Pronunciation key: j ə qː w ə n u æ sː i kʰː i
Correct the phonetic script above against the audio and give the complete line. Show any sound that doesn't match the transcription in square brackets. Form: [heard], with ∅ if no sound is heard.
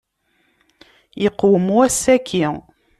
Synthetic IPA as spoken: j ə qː w ə [m] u æ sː [æ] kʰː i

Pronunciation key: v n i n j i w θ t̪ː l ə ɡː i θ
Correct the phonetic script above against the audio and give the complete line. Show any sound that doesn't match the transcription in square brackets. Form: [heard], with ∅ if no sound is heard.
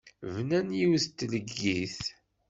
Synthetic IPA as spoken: v n [æ] n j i w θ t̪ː l ə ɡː i θ

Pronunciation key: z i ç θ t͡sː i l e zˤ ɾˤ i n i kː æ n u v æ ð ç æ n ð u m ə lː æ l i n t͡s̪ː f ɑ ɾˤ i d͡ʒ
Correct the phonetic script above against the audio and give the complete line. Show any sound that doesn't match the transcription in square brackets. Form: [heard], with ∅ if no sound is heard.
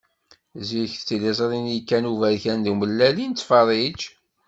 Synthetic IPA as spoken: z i ç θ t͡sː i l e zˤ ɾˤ i n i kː æ n u v æ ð ç æ n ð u m ə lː æ l i n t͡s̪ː f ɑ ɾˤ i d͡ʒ

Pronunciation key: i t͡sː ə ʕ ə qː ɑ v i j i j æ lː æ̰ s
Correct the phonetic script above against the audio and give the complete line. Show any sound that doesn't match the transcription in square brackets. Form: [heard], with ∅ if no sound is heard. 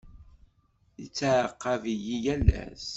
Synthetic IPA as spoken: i t͡sː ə ʕ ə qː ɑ v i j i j æ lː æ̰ s

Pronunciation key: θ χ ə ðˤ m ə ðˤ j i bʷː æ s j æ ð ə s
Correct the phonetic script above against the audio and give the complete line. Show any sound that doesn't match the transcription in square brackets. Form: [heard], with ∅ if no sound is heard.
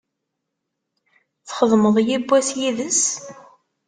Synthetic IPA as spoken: θ χ ə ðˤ m ə ðˤ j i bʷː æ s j [i] ð ə s

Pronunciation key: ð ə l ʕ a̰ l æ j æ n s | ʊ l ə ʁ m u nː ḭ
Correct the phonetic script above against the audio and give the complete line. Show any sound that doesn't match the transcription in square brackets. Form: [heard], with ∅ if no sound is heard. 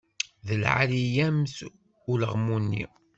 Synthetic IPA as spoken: ð ə l ʕ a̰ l [i] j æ [m] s | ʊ l ə ʁ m u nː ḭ

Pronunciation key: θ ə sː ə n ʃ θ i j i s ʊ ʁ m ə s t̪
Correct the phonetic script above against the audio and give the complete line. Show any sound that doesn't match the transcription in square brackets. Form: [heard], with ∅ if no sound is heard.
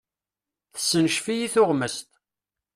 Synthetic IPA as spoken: θ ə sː ə n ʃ [f] i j i [θ] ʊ ʁ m ə s t̪

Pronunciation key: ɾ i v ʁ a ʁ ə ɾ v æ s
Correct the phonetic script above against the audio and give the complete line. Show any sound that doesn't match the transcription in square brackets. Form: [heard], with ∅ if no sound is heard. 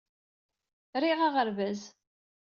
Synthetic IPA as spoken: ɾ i [∅] ʁ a ʁ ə ɾ v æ [z]

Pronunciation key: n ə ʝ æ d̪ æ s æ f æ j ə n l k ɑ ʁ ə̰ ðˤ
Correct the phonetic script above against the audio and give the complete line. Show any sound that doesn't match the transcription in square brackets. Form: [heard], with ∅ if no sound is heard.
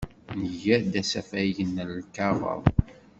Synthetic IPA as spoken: n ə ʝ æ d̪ æ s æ f æ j ə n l k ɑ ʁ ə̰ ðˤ

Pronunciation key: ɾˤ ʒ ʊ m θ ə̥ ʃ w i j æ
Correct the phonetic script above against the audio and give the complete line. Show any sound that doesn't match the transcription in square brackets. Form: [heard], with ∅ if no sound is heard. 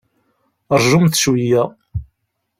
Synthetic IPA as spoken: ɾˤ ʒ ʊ m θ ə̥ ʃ w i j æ

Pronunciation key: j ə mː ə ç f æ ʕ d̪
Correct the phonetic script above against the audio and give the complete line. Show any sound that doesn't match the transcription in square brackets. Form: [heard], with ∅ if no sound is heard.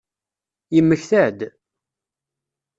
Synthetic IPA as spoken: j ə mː ə ç [θ] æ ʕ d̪

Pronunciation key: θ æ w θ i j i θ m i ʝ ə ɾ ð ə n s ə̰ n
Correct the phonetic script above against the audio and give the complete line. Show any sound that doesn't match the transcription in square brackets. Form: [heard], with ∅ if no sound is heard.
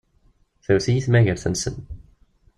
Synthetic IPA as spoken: θ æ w θ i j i θ m [æ] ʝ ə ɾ [θ] ə n s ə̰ n

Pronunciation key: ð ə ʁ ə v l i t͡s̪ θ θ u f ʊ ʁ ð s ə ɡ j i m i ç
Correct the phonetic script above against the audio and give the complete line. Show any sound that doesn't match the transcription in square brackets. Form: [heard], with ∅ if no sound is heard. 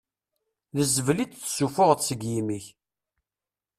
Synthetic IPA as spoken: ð ə [z] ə v l i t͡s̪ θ [s] u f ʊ ʁ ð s ə ɡ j i m i ç

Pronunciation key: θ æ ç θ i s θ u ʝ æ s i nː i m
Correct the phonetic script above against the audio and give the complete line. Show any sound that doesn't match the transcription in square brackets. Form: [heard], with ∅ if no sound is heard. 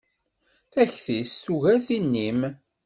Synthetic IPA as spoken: θ æ ç θ i s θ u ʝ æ [θ] i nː i m

